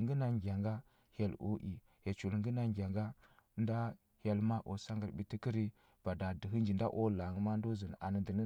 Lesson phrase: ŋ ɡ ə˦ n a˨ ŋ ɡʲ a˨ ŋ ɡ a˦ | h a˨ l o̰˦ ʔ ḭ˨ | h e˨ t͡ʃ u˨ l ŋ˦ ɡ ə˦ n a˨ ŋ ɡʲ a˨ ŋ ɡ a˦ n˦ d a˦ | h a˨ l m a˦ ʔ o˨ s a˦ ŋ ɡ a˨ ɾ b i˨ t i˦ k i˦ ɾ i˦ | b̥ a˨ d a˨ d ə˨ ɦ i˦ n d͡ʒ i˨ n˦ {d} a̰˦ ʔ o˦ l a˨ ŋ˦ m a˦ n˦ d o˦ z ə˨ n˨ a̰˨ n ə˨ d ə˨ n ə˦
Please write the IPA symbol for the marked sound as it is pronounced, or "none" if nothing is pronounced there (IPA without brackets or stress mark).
d